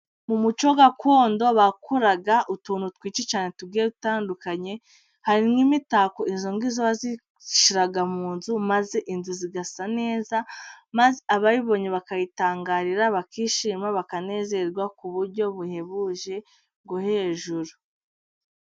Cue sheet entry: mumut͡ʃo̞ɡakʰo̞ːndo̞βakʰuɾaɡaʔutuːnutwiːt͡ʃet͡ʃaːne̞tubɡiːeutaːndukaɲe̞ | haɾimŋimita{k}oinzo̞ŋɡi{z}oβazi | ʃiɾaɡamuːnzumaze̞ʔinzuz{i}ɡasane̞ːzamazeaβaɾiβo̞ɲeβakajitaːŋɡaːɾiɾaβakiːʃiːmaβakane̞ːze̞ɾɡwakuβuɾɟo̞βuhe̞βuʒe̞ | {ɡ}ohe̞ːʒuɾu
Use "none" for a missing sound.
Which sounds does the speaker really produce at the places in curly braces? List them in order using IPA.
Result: k, z, i, ɡ

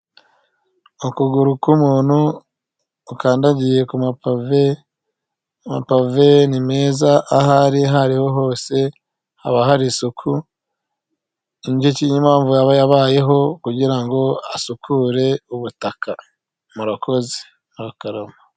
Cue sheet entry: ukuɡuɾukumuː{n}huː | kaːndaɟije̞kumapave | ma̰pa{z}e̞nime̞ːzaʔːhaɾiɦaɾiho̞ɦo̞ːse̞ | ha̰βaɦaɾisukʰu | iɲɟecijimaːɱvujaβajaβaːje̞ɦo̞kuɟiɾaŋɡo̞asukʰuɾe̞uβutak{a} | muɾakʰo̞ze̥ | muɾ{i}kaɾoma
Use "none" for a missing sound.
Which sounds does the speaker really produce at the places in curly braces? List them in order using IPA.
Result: n, v, a, a

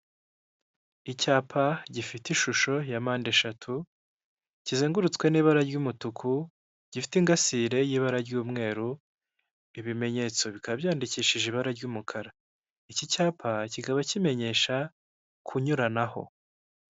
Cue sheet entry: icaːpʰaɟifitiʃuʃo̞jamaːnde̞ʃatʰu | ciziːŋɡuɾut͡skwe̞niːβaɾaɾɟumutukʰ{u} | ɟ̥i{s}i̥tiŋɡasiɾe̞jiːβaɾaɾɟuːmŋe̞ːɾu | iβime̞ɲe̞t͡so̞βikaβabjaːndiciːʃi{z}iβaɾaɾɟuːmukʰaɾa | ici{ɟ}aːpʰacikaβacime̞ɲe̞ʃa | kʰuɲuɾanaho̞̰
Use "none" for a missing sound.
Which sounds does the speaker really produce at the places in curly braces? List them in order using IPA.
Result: u, f, ʒ, c

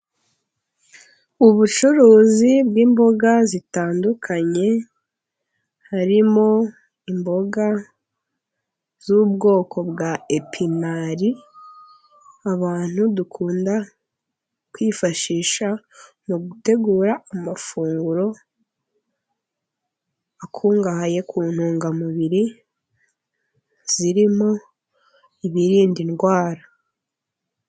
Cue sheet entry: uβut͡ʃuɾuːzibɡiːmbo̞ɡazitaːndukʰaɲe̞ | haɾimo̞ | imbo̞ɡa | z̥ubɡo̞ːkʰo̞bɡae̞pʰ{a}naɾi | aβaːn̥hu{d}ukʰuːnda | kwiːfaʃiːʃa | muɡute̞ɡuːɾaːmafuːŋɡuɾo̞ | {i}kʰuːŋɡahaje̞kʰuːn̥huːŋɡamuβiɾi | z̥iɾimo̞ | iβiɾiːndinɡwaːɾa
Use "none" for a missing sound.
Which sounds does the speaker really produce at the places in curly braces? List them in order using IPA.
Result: i, d, a

